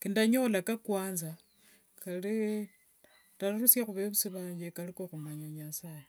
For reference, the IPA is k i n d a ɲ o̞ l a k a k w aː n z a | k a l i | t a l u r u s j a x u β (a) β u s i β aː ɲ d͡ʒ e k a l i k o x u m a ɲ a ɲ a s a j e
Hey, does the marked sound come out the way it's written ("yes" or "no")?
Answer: no